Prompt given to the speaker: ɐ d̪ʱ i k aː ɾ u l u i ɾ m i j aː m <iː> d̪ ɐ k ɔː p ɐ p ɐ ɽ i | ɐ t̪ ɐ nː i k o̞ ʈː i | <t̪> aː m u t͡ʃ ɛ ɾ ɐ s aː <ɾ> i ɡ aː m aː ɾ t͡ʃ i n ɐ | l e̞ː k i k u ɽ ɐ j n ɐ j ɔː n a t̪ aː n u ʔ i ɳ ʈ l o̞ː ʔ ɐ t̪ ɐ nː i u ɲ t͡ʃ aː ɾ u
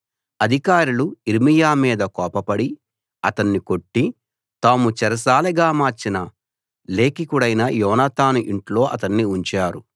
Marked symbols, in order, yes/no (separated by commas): yes, yes, no